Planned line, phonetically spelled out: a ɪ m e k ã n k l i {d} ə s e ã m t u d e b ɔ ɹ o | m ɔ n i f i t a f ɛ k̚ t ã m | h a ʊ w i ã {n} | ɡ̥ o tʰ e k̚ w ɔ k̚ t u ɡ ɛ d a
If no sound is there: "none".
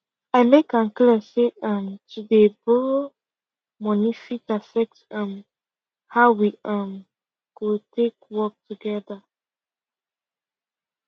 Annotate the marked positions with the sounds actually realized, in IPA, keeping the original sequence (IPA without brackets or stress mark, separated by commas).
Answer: none, m